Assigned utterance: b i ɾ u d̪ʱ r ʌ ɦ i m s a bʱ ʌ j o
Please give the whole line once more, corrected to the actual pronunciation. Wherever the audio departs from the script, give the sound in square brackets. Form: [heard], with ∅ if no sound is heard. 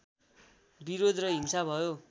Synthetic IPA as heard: b i ɾ [o] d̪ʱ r ʌ ɦ i m s a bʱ ʌ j o